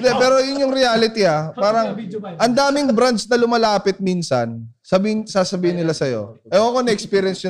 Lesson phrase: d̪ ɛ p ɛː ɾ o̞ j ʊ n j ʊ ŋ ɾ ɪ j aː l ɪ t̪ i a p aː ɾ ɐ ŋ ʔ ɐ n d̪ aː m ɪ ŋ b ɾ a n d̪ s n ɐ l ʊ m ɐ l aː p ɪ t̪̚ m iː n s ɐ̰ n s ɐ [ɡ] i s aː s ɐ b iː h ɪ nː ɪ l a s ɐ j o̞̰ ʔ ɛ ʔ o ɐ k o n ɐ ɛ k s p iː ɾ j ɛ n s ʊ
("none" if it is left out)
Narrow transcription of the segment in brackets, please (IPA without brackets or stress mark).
b